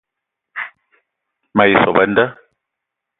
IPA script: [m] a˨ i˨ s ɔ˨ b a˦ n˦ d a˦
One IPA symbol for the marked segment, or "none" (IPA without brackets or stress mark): m